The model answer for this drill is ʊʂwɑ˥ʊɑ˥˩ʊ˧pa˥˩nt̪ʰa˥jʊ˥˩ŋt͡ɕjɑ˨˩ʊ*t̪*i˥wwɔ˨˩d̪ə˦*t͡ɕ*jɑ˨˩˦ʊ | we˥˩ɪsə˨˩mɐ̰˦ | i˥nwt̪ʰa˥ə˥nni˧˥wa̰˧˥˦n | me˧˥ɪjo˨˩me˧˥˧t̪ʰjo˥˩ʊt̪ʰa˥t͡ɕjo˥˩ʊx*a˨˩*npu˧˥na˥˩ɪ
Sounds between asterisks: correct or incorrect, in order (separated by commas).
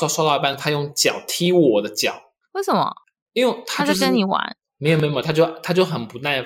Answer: incorrect, correct, incorrect